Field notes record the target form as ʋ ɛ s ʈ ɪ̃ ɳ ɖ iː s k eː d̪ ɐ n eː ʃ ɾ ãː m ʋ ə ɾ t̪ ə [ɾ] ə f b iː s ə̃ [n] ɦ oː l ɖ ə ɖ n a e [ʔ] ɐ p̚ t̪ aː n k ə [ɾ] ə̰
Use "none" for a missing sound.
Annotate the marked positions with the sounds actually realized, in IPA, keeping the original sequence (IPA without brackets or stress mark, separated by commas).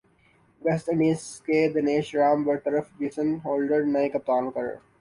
ɾ, n, k, ɾ